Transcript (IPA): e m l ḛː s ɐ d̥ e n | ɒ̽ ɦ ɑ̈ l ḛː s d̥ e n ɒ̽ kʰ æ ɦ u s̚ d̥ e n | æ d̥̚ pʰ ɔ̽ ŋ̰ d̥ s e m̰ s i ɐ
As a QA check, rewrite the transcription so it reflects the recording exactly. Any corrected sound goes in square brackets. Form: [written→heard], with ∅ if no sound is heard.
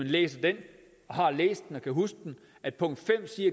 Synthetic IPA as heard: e [m→n] l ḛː s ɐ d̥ e n | ɒ̽ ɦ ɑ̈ l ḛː s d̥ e n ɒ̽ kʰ æ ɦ u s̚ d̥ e n | æ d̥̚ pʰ ɔ̽ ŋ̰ d̥ [s→f] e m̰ s i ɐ

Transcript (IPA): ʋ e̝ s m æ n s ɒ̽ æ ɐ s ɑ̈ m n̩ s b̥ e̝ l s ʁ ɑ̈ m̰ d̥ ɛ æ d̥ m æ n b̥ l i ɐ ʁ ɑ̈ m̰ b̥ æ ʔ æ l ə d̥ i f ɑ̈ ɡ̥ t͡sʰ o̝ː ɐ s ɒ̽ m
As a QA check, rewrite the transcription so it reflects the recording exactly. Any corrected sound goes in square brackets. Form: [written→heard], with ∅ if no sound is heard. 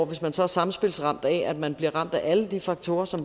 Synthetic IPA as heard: ʋ e̝ s m æ n s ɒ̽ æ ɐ s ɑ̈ m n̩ s b̥ e̝ l s ʁ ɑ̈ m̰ d̥ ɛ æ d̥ m æ n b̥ l i ɐ ʁ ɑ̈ m̰ [b̥→d̥] æ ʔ æ l ə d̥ i f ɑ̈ ɡ̥ t͡sʰ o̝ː ɐ s ɒ̽ m

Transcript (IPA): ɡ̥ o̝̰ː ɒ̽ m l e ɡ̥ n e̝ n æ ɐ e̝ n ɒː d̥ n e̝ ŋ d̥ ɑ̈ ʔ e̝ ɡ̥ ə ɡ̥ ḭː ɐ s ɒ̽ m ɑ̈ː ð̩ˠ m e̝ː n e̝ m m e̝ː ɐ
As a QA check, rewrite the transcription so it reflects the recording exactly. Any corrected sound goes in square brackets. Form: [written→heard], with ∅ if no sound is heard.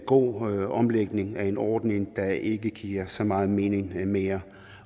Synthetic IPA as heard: ɡ̥ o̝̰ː ɒ̽ m l e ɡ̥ n e̝ [n→ŋ] æ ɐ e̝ n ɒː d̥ n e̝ ŋ d̥ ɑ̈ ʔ e̝ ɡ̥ ə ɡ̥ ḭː ɐ s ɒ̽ m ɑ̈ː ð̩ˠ m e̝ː n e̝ [m→ŋ] m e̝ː ɐ

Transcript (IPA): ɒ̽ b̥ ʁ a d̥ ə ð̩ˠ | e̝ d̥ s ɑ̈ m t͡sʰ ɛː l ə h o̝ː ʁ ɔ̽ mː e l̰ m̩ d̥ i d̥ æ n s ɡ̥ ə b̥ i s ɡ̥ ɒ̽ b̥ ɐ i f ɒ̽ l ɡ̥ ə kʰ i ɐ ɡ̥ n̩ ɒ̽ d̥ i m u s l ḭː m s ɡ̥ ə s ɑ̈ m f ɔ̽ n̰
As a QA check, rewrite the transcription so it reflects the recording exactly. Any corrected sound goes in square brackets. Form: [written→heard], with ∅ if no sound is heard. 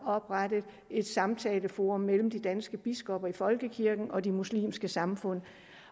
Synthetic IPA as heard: ɒ̽ b̥ ʁ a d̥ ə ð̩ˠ | e̝ d̥ s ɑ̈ m t͡sʰ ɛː l ə [h→f] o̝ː ʁ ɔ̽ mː e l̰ m̩ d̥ i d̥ æ n s ɡ̥ ə b̥ i s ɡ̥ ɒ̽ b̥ ɐ i f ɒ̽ l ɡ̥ ə kʰ i ɐ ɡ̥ n̩ ɒ̽ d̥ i m u s l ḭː m s ɡ̥ ə s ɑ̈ m f ɔ̽ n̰

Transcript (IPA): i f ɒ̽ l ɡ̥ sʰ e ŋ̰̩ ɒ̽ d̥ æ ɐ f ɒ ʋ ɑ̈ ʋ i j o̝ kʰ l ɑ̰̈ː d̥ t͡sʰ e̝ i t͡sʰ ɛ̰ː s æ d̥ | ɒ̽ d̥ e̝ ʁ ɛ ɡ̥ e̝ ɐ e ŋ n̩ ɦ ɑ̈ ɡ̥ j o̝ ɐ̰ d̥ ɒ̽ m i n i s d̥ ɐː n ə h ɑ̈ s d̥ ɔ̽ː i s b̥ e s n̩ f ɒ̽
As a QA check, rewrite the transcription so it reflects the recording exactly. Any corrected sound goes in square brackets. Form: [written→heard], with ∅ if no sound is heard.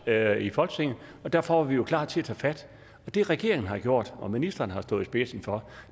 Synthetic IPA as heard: i f ɒ̽ l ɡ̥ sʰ e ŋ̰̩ ɒ̽ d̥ æ ɐ f ɒ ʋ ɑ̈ ʋ i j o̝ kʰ l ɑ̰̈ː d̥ t͡sʰ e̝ [i→æ] t͡sʰ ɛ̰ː [s→f] æ d̥ | ɒ̽ d̥ e̝ ʁ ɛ ɡ̥ e̝ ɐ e ŋ n̩ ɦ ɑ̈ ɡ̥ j o̝ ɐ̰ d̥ ɒ̽ m i n i s d̥ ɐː n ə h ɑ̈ s d̥ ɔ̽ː i s b̥ e s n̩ f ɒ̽

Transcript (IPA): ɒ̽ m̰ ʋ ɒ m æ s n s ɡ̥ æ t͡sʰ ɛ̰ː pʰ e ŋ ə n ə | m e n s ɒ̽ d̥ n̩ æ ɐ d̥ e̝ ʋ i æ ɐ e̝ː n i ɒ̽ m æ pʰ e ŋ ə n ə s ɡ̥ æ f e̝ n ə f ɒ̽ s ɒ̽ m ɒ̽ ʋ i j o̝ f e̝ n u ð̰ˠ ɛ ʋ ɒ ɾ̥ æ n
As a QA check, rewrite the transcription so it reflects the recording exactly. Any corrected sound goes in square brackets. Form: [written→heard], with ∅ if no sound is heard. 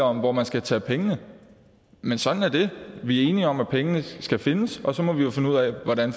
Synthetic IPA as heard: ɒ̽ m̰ ʋ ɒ m æ [s→∅] n s ɡ̥ æ t͡sʰ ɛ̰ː pʰ e ŋ ə n ə | m e n s ɒ̽ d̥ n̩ æ ɐ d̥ e̝ ʋ i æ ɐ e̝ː n i ɒ̽ m æ pʰ e ŋ ə n ə s ɡ̥ æ f e̝ n ə [f→s] ɒ̽ s ɒ̽ m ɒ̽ ʋ i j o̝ f e̝ n u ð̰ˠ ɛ ʋ ɒ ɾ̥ æ n

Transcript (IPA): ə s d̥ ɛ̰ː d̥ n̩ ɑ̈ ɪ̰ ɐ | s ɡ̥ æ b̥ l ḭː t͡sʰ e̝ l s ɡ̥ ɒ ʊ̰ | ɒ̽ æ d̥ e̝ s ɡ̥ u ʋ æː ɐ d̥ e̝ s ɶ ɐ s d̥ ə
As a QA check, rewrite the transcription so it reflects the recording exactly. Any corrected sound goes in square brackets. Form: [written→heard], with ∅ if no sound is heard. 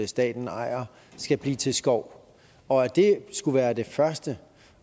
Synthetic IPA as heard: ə s d̥ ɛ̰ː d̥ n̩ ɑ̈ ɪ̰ ɐ | s ɡ̥ æ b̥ l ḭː t͡sʰ e̝ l s ɡ̥ ɒ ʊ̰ | ɒ̽ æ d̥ e̝ s ɡ̥ u ʋ æː ɐ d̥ e̝ [s→f] ɶ ɐ s d̥ ə

